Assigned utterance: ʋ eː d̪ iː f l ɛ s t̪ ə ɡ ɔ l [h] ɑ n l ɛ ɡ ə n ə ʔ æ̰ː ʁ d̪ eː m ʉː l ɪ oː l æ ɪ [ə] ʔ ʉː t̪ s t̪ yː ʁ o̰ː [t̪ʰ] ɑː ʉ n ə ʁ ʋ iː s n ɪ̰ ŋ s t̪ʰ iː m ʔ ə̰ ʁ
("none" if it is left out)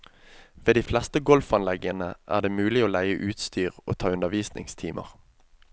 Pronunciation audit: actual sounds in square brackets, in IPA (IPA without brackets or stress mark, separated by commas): f, ə, t̪ʰ